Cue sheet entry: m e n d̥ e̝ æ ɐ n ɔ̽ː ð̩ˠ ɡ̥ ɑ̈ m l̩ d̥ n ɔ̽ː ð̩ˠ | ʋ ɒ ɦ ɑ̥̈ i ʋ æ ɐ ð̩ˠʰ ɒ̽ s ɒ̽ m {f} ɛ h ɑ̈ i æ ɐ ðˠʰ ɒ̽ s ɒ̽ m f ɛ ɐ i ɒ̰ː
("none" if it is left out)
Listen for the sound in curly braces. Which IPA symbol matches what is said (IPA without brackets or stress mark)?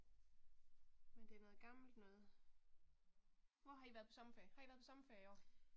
f